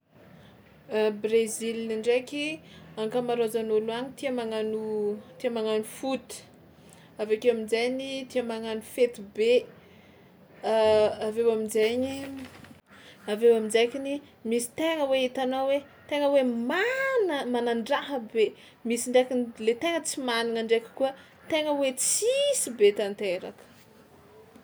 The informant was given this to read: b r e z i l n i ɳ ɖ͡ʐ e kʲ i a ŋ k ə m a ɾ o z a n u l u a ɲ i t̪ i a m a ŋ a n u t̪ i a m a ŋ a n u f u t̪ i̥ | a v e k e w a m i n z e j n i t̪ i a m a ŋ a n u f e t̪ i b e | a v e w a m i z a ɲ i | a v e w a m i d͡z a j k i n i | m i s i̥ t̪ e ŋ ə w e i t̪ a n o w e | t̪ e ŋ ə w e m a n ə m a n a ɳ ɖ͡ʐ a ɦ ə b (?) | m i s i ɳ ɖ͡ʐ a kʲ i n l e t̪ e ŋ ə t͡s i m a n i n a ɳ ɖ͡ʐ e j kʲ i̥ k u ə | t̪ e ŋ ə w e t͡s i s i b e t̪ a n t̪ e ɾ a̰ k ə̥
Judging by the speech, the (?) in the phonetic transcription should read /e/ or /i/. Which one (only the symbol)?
e